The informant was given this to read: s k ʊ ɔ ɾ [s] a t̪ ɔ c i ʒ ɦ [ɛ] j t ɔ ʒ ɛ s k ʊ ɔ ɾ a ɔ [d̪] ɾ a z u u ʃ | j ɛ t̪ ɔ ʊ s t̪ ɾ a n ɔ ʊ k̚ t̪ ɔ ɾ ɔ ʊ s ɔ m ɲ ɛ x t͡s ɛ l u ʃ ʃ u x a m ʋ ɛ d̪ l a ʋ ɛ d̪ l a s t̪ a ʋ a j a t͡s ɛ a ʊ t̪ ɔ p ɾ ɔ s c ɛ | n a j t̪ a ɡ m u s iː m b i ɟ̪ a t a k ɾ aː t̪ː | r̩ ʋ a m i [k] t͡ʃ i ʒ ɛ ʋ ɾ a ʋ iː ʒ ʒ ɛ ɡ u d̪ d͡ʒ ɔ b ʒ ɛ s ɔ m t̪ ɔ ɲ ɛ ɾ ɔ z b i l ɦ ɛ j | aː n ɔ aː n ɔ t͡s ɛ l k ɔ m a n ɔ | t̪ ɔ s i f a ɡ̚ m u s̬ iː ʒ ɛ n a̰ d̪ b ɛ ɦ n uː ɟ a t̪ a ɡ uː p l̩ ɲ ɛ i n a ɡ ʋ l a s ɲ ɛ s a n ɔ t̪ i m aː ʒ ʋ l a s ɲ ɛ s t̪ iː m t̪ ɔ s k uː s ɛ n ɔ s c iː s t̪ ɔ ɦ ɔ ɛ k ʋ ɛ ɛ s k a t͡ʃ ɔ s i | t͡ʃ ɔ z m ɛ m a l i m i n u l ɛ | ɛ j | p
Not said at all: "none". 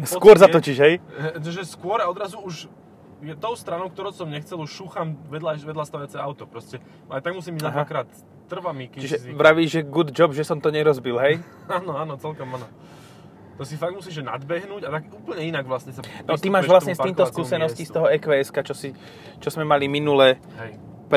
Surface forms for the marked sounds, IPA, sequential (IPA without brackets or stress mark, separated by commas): z, ɛ, d̪, k